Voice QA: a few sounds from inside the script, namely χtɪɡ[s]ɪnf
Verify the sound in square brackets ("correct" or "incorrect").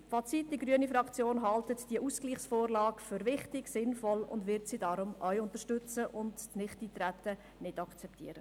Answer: correct